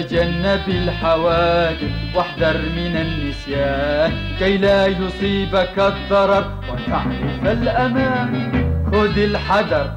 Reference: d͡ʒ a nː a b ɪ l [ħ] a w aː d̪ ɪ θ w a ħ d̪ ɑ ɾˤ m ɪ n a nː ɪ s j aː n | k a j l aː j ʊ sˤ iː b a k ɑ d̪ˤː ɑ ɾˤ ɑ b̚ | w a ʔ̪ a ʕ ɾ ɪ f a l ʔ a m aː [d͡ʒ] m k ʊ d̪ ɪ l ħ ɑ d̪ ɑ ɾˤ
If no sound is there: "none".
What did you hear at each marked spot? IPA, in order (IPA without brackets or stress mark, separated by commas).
ħ, none